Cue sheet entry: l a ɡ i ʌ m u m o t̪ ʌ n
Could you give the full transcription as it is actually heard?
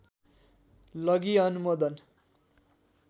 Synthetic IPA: l ʌ ɡ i ʌ n u m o d̪ ʌ n